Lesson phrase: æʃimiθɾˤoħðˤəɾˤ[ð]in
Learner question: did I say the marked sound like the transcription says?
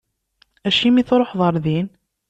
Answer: yes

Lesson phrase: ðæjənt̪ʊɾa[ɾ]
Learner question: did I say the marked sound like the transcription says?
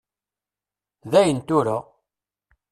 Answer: no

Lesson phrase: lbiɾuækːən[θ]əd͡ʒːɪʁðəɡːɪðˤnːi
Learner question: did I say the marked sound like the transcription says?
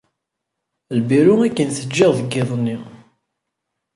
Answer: yes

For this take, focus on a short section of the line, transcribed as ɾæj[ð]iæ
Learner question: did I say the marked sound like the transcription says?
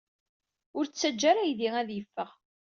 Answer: yes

